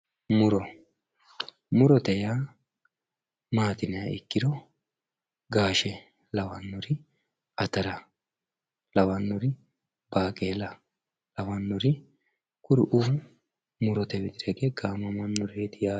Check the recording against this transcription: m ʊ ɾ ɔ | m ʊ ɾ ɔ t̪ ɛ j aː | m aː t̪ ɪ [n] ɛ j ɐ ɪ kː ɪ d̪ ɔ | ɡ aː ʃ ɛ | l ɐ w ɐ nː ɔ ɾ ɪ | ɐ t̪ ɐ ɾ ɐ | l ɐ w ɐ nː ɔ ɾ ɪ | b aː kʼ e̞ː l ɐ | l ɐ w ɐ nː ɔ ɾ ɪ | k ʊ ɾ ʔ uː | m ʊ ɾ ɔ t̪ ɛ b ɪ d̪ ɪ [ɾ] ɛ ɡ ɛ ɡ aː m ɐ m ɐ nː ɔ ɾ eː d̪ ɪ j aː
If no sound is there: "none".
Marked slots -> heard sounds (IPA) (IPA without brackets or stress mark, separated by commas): n, ɾ